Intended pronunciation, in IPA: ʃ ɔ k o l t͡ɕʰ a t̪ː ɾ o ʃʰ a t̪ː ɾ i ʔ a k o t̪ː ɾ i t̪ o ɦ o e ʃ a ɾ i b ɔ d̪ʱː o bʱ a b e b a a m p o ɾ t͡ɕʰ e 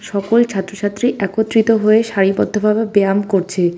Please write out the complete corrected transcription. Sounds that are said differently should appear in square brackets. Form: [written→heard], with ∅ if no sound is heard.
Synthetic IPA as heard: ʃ ɔ k o l t͡ɕʰ a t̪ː ɾ o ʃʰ a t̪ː ɾ i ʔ [a→ɛ] k o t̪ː ɾ i t̪ o ɦ o e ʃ a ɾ i b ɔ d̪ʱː o bʱ a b e b [a→e] a m [p→k] o ɾ t͡ɕʰ e